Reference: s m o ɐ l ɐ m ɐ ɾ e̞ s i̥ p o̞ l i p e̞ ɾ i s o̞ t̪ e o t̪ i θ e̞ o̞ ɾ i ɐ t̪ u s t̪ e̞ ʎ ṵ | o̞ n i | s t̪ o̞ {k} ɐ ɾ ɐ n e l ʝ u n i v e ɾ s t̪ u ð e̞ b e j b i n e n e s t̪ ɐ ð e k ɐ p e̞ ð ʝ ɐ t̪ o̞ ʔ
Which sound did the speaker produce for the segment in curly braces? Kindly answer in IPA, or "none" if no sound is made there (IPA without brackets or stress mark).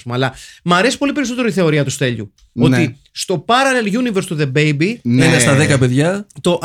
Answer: p